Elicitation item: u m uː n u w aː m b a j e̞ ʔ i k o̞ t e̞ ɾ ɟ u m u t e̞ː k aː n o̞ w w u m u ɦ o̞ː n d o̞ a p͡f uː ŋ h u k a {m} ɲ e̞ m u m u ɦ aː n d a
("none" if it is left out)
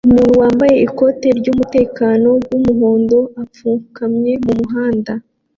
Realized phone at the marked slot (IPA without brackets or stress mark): m